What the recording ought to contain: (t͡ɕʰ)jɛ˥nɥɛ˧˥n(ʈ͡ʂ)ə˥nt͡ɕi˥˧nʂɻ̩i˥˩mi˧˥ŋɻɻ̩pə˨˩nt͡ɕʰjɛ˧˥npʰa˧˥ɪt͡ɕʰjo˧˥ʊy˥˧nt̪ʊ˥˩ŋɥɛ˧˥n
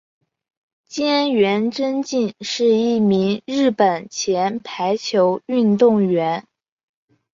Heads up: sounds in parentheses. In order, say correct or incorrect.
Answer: incorrect, correct

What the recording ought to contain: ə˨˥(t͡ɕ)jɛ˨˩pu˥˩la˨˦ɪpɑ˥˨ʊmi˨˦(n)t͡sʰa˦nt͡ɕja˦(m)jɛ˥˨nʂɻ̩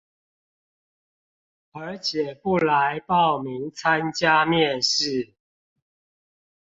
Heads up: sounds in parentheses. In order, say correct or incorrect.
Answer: incorrect, incorrect, correct

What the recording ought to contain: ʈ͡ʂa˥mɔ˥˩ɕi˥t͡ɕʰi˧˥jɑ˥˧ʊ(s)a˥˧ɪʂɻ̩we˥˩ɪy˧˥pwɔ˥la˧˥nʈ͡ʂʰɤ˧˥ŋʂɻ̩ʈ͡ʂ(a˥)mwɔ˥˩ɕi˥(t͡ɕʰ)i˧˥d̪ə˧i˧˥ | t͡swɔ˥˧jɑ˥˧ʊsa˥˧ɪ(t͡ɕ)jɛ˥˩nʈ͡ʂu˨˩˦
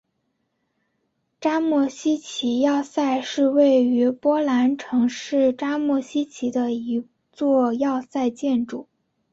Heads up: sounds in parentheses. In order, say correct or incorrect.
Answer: correct, correct, correct, correct

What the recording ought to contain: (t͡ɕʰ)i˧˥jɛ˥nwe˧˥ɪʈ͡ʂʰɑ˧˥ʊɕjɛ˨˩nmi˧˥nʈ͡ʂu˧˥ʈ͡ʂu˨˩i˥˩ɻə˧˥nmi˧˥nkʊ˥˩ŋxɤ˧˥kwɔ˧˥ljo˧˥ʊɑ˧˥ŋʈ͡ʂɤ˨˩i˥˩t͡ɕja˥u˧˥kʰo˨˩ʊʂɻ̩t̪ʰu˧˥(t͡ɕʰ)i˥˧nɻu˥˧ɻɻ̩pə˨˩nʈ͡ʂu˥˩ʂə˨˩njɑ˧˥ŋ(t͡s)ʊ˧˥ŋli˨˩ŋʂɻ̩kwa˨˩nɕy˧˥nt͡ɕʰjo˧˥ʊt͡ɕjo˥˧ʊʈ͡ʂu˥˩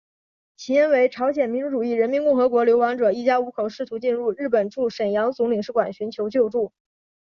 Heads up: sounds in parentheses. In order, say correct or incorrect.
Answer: correct, incorrect, correct

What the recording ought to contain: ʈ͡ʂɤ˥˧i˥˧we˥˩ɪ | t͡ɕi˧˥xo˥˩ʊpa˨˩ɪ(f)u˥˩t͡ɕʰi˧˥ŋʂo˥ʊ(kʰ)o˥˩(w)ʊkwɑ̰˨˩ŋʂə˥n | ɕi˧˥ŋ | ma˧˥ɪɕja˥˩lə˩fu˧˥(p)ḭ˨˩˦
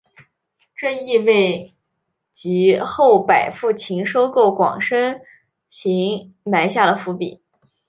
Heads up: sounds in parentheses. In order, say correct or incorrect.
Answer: correct, incorrect, incorrect, correct

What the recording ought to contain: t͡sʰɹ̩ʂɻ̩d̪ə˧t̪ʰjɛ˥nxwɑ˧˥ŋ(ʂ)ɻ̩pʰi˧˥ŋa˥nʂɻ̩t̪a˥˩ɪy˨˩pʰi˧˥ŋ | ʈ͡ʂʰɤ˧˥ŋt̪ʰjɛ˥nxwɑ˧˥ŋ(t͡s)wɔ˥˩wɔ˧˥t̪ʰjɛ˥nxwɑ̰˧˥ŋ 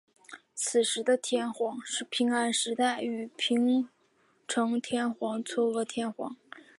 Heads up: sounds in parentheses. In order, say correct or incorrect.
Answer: correct, incorrect

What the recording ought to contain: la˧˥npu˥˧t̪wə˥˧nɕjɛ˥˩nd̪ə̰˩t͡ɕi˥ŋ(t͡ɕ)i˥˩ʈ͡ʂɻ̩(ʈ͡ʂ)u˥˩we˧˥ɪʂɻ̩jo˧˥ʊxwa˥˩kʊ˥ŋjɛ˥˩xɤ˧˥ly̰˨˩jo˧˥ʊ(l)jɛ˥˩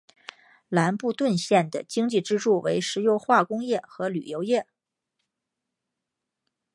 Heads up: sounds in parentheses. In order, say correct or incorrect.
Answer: correct, correct, incorrect

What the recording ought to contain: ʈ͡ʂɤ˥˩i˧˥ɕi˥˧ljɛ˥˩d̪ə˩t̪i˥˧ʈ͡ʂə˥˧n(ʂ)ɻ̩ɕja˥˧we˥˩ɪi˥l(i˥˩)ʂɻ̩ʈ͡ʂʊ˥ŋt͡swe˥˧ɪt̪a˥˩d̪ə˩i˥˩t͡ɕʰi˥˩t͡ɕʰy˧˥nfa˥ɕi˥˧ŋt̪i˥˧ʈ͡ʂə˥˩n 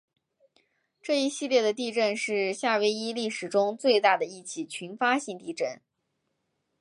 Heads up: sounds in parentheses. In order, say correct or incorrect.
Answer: correct, correct

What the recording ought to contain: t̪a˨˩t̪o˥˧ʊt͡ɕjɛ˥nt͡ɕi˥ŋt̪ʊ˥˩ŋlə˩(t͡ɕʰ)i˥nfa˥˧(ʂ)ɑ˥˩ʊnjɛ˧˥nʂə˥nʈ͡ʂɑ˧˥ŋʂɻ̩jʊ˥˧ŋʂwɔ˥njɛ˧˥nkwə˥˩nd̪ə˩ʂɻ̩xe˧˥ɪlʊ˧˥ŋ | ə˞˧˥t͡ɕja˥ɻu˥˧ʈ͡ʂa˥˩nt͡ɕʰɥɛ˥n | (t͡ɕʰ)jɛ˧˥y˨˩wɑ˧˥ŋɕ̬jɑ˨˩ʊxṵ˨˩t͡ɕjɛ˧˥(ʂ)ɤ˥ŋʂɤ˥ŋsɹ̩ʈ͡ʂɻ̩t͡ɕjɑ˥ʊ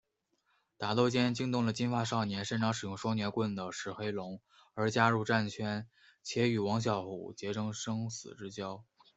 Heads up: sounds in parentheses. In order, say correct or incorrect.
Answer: incorrect, correct, correct, incorrect

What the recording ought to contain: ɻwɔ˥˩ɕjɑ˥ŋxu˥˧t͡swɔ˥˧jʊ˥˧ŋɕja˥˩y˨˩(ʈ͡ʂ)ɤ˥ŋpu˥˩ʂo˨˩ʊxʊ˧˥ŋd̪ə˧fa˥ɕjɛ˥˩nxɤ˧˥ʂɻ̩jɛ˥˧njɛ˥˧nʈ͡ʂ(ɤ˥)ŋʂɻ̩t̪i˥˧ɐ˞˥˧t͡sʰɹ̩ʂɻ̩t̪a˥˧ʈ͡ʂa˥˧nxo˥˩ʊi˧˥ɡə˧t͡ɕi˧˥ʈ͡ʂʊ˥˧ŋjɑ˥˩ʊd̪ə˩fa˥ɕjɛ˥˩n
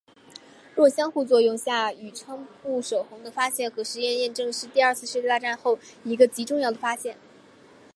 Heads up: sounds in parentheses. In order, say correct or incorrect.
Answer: incorrect, incorrect

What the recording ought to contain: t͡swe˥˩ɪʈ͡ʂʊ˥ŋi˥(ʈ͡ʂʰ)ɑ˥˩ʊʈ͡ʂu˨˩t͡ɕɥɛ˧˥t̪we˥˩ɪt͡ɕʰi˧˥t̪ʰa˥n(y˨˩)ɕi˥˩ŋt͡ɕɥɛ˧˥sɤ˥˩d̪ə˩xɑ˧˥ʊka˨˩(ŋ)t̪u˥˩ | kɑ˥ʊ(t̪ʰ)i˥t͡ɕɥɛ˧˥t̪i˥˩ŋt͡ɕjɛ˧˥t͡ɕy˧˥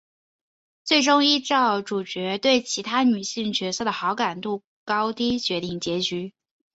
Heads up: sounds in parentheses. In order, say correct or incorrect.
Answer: incorrect, correct, incorrect, incorrect

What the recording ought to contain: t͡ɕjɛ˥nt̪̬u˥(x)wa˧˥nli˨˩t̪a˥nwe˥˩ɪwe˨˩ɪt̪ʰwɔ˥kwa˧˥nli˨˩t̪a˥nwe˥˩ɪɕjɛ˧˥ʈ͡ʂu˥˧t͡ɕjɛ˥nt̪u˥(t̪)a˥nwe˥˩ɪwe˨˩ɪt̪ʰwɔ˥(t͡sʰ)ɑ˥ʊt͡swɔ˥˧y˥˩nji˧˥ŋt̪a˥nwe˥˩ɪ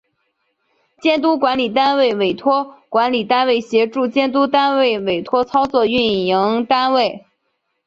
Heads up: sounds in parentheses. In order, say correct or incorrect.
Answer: incorrect, correct, correct

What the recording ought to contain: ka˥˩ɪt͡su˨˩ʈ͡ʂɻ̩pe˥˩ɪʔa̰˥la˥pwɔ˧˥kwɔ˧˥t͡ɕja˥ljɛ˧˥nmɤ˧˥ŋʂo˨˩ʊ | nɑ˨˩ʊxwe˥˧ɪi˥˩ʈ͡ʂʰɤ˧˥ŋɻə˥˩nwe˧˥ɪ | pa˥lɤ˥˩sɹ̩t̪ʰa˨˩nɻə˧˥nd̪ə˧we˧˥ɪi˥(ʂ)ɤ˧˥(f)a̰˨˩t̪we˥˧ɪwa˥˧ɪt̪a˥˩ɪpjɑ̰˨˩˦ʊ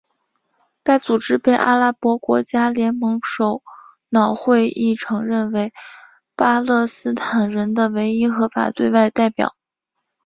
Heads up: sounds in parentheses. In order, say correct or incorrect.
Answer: incorrect, correct

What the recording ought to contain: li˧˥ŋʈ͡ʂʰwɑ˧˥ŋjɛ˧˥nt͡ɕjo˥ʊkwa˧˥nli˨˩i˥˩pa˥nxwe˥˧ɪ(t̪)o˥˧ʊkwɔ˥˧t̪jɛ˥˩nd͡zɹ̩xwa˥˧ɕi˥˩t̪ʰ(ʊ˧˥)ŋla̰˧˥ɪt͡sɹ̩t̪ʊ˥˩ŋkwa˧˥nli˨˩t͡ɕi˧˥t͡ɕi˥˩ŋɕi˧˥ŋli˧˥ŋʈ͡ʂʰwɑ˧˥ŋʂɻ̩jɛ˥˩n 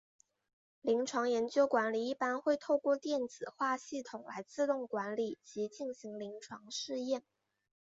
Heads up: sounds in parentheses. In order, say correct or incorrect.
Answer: incorrect, incorrect

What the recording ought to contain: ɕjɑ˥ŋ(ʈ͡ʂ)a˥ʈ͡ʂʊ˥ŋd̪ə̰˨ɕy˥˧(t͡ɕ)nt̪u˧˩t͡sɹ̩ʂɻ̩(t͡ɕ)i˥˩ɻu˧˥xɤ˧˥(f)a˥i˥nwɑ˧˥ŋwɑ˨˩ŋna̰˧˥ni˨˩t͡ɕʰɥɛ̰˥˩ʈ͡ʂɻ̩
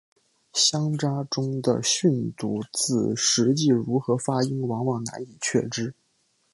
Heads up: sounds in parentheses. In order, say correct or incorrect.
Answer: correct, incorrect, correct, correct

